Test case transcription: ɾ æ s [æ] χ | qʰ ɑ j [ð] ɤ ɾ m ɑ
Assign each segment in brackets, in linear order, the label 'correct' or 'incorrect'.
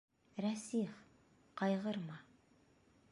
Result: incorrect: i, incorrect: ʁ

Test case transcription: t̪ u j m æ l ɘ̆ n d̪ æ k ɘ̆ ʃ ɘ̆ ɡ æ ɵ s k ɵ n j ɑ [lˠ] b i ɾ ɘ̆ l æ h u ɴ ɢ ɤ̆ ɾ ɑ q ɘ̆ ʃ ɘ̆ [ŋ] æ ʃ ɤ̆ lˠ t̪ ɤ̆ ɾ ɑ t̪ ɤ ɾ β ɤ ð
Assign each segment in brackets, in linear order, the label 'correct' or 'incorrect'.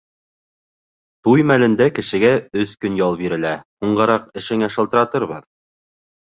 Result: correct, correct

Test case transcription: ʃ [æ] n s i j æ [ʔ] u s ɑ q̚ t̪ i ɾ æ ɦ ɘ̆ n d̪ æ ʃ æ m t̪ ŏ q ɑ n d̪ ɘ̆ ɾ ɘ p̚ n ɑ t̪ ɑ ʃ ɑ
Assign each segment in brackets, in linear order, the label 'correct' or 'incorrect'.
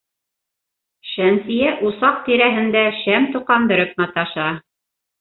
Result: correct, correct

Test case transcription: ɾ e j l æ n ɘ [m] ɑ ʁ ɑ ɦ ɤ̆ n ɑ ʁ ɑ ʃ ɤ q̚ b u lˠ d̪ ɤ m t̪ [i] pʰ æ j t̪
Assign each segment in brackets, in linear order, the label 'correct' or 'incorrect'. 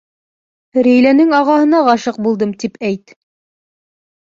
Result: incorrect: ŋ, correct

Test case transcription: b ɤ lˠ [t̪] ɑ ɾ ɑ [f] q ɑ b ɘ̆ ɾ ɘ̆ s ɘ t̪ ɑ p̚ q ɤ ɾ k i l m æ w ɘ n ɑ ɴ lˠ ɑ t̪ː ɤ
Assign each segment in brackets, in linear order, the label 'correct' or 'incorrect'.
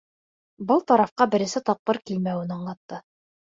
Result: correct, correct

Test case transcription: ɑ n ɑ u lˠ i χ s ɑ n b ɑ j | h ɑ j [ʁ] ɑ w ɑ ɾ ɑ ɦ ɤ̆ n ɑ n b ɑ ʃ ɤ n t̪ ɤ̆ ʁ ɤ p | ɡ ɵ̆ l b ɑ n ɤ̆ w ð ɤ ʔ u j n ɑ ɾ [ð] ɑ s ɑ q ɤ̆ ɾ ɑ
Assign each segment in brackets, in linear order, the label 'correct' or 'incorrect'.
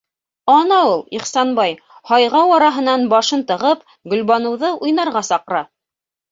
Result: correct, incorrect: ʁ

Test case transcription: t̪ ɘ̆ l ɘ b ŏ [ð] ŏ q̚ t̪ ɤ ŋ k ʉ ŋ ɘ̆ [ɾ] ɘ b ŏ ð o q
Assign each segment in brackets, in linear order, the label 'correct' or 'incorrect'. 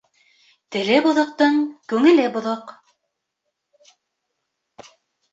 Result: correct, incorrect: l

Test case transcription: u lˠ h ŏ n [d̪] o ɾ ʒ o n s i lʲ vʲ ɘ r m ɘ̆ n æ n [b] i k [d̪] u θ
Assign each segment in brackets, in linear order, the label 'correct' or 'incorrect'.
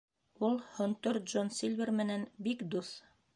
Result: incorrect: t̪, correct, correct

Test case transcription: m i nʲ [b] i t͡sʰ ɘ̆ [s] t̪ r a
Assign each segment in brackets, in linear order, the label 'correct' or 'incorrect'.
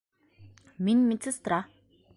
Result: incorrect: m, correct

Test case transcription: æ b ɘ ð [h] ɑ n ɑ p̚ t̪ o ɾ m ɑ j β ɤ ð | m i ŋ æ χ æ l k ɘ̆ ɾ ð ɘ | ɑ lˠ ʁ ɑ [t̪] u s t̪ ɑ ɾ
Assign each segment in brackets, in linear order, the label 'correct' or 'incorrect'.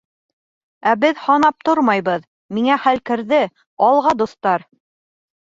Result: correct, incorrect: d̪

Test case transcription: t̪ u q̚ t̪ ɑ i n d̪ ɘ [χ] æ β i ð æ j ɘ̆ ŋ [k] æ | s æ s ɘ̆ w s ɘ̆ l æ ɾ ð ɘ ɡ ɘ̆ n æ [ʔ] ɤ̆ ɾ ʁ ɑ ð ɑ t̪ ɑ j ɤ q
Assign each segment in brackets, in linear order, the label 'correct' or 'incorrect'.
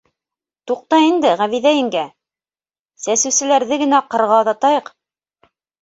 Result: incorrect: ʁ, incorrect: ɡ, incorrect: q

